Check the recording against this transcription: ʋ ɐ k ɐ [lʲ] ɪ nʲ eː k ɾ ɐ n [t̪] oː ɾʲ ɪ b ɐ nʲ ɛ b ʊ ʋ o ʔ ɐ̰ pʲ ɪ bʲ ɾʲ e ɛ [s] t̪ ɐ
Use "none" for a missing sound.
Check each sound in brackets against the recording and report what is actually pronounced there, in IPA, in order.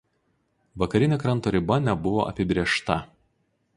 ɾʲ, t̪, ʃ

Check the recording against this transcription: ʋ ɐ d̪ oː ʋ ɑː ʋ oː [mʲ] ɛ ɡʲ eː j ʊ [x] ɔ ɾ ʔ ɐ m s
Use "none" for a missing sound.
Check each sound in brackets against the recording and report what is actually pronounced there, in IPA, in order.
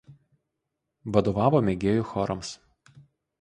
mʲ, x

